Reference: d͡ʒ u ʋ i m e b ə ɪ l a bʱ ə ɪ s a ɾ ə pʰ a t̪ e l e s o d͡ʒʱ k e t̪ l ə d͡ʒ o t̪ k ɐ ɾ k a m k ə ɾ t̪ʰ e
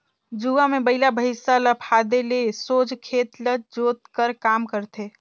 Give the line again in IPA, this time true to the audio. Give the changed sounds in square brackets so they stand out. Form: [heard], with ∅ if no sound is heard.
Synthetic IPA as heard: d͡ʒ u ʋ [a] m e b ə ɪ l a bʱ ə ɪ s a [l] ə pʰ a [d̪] e l e s o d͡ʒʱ [kʰ] e t̪ l ə d͡ʒ o t̪ k [ə] ɾ k a m k ə ɾ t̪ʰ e